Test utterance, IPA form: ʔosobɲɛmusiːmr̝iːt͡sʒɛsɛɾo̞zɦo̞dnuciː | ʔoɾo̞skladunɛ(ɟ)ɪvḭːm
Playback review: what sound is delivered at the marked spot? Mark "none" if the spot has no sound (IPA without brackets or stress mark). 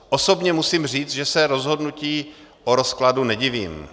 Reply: ɟ